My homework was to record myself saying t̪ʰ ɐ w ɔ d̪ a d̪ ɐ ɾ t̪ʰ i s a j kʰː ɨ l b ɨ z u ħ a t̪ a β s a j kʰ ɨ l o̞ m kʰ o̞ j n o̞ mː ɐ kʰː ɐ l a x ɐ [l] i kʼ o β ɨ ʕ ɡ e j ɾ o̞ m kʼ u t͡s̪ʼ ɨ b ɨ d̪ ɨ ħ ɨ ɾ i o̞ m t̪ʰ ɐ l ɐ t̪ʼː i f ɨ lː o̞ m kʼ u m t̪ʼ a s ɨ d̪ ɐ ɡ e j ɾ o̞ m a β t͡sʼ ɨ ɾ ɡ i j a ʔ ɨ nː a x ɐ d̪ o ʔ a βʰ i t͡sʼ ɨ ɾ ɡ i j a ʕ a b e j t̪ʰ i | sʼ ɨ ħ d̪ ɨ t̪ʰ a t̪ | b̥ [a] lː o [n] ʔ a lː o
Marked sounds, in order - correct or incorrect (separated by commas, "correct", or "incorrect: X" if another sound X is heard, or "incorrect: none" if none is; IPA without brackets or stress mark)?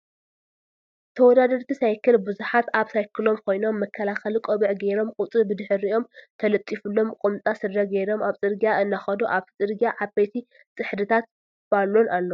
correct, correct, correct